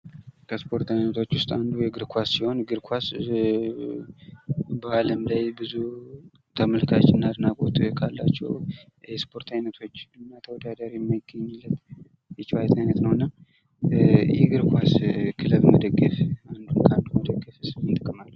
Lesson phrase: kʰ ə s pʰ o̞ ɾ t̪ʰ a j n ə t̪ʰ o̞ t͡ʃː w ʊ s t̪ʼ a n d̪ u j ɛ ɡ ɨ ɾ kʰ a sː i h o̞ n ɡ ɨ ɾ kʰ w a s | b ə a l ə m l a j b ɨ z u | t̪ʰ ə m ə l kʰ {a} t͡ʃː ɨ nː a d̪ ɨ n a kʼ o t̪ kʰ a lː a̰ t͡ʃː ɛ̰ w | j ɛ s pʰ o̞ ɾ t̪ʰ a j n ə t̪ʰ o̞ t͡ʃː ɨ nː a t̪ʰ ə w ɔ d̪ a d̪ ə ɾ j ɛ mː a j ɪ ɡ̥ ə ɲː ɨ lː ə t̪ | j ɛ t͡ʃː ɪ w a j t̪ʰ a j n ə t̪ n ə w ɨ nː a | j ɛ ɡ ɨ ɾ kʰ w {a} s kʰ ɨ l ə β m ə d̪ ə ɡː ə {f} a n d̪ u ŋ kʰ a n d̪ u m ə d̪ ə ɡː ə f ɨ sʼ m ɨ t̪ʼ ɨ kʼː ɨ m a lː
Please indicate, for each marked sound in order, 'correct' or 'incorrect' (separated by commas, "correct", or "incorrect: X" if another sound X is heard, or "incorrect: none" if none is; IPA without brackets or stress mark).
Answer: correct, correct, correct